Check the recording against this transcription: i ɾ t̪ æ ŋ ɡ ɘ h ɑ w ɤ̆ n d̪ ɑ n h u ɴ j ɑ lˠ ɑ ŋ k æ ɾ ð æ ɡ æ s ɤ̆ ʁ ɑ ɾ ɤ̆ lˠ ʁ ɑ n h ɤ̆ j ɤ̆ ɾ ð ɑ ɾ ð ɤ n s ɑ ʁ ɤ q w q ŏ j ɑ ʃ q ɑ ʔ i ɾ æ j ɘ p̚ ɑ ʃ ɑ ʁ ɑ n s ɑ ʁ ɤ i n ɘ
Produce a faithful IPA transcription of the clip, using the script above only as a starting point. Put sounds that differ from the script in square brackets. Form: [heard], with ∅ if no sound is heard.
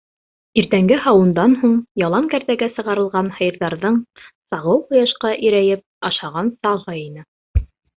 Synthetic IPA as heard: i ɾ t̪ æ ŋ ɡ ɘ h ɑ w ɤ̆ n d̪ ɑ n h u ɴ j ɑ lˠ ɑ ŋ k æ ɾ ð æ ɡ æ s ɤ̆ ʁ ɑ ɾ ɤ̆ lˠ ʁ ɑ n h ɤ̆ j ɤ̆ ɾ ð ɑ ɾ ð ɤ [ɴ] s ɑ ʁ ɤ [∅] w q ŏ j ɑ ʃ q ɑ ʔ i ɾ æ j ɘ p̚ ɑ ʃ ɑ ʁ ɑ n s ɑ ʁ ɤ i n ɘ